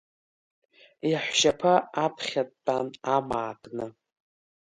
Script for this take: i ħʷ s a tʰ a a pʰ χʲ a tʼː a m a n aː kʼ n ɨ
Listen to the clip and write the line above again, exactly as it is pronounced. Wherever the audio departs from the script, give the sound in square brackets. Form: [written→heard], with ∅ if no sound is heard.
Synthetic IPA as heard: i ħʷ [s→ʃ] a [tʰ→pʰ] a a pʰ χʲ a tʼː a [m→n] a [n→m] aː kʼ n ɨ